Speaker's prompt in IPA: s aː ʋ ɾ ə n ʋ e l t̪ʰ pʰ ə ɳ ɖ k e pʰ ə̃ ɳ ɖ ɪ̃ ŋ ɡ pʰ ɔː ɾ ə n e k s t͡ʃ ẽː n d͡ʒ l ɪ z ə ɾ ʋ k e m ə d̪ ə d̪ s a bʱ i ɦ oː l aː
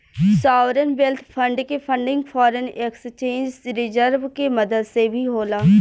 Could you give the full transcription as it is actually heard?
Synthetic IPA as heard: s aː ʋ ɾ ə n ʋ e l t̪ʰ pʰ ə ɳ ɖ k e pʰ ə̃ ɳ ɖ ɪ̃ ŋ ɡ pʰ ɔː ɾ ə n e k s t͡ʃ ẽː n d͡ʒ ɾ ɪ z ə ɾ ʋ k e m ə d̪ ə d̪ s e bʱ i ɦ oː l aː